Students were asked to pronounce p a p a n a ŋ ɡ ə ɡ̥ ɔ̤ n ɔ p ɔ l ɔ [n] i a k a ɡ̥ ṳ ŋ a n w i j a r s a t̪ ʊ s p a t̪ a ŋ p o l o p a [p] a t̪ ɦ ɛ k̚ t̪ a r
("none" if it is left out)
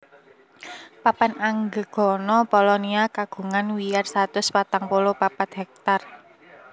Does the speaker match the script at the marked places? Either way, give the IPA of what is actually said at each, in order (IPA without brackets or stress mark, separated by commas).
n, p